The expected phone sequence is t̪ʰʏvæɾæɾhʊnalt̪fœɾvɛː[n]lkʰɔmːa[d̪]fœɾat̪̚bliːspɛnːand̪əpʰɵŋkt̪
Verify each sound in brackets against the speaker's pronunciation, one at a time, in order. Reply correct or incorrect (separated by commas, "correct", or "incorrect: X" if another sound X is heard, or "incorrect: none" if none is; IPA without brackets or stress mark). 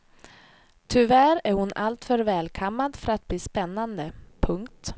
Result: incorrect: none, correct